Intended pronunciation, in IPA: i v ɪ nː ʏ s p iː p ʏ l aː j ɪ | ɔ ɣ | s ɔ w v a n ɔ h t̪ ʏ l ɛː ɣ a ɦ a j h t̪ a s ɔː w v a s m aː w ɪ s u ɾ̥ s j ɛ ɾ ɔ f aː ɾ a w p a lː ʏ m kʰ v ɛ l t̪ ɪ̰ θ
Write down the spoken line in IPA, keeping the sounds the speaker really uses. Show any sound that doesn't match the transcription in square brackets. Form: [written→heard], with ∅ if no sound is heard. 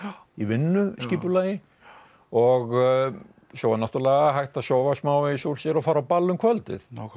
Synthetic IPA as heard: i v ɪ nː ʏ s [p→c] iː p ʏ l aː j ɪ | ɔ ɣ | s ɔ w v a n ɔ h t̪ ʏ l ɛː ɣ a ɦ a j h t̪ a s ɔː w v a s m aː w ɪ s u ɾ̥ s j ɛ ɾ ɔ f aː ɾ a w p a lː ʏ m kʰ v [ɛ→œ] l t̪ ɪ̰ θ